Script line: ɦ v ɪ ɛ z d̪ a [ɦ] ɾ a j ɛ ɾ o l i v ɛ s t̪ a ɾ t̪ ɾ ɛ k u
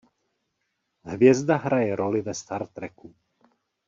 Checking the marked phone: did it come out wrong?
no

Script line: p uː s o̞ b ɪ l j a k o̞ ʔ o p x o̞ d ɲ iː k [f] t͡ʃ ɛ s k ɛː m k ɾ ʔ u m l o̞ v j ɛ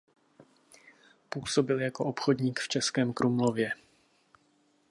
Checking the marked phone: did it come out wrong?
no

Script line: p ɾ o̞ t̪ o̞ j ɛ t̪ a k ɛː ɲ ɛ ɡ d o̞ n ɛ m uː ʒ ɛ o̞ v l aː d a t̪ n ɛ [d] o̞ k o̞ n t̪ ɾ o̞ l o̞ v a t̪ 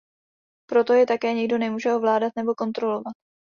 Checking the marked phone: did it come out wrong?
yes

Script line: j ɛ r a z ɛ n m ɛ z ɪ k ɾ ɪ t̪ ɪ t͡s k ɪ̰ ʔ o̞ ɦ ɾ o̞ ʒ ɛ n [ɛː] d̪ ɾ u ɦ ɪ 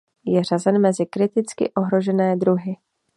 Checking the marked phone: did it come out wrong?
no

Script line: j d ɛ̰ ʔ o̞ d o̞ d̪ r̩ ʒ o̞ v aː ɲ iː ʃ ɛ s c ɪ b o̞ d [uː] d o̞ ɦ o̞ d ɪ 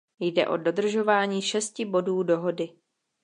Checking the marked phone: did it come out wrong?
no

